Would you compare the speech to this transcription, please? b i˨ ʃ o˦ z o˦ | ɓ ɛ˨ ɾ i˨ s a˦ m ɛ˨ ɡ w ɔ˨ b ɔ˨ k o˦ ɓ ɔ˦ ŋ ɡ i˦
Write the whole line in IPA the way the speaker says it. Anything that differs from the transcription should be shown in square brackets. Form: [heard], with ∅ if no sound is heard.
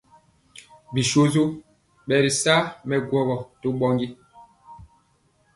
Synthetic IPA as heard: b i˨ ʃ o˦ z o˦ | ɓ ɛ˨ ɾ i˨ s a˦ m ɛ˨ ɡ w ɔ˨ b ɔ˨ [t] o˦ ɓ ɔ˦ ŋ ɡ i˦